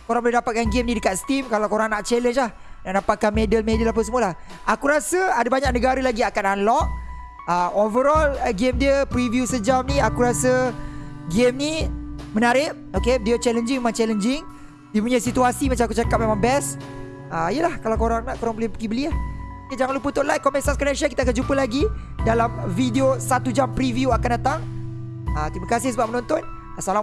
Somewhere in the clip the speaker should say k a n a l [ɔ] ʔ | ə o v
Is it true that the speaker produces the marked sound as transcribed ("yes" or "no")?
yes